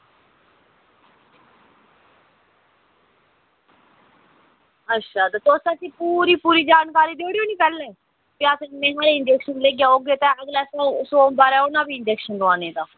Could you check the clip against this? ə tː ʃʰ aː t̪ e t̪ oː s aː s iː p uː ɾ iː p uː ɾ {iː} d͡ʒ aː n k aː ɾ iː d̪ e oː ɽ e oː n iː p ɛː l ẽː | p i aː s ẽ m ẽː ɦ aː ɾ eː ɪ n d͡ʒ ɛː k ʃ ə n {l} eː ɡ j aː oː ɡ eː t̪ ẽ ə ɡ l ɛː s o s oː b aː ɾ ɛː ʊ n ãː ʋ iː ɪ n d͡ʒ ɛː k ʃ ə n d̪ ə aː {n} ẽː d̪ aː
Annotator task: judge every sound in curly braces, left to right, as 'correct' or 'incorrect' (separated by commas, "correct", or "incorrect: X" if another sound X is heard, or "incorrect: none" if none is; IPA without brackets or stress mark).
correct, correct, correct